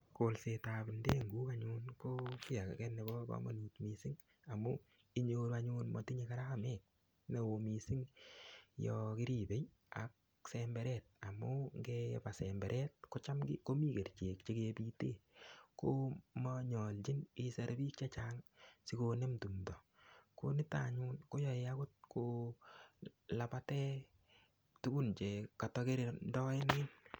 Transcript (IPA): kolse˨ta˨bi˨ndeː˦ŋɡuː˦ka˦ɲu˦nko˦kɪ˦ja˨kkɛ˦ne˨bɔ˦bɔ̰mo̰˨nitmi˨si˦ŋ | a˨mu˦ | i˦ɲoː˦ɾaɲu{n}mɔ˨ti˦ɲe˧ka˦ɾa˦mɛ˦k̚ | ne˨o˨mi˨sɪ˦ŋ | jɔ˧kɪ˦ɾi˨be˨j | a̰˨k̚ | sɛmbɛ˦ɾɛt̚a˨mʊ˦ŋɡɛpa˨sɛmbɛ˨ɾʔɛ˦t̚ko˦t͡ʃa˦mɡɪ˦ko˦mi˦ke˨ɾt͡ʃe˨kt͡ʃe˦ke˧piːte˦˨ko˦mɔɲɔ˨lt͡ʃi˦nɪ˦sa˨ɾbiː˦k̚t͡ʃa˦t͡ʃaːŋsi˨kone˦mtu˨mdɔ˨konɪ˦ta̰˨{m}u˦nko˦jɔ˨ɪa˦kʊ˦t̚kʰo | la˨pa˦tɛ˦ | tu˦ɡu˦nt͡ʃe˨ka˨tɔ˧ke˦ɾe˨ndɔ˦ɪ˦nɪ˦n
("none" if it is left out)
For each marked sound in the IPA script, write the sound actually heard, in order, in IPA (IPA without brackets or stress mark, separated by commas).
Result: n, ɲ